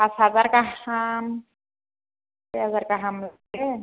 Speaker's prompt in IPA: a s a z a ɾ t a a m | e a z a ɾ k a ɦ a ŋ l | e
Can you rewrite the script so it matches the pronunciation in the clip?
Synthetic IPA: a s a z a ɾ k a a m | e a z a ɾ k a ɦ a m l | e